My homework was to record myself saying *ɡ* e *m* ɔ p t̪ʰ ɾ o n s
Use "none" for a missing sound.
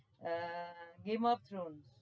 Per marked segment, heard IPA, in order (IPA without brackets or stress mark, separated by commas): ɡ, m